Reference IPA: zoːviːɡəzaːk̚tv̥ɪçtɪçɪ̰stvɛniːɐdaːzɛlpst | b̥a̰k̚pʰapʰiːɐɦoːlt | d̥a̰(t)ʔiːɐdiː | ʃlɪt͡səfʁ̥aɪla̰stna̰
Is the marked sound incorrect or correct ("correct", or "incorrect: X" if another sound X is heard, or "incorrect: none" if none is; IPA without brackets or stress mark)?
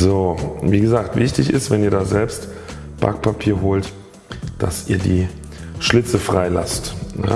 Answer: incorrect: s